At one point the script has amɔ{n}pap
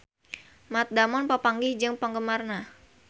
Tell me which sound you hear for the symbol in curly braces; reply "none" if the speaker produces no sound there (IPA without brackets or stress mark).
n